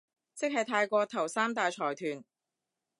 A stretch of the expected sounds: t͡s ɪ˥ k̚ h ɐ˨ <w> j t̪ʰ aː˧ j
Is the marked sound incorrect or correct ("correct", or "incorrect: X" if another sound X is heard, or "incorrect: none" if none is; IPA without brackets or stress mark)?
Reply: incorrect: none